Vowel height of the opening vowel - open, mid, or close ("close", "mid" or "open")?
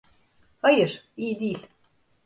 open